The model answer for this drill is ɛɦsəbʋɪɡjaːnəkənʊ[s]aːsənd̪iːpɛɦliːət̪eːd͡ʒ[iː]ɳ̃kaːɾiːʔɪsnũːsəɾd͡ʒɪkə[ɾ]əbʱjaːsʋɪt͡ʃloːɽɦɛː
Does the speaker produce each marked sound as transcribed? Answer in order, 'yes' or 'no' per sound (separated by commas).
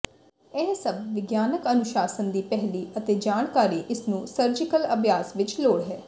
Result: no, no, no